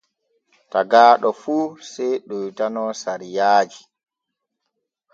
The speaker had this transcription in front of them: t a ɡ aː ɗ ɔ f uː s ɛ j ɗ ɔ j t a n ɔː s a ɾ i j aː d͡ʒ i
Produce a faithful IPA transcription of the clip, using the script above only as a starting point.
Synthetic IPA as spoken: t a ɡ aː ɗ ɔ f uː s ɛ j ɗ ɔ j t a n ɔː s a ɾ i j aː d͡ʒ i